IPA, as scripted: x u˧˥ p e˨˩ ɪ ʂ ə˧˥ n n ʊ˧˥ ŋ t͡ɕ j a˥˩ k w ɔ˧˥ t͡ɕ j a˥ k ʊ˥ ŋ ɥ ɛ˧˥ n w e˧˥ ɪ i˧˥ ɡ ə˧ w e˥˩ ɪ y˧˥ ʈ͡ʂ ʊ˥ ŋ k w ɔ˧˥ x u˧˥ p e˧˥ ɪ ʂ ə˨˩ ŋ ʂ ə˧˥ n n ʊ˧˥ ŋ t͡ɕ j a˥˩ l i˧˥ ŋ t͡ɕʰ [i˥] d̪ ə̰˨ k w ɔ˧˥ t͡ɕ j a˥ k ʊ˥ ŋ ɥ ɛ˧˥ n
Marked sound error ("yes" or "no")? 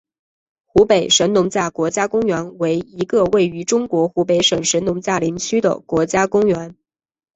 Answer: yes